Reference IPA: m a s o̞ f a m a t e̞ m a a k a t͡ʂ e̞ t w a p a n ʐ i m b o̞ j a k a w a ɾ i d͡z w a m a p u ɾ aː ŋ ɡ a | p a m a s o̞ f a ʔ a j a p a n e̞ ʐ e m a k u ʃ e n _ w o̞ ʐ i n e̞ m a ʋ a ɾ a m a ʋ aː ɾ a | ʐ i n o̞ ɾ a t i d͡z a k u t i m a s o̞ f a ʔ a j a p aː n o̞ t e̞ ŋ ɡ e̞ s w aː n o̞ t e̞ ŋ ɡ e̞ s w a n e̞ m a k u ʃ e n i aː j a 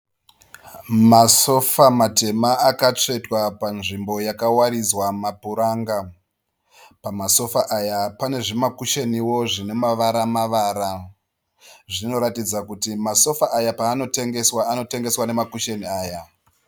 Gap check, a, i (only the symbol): i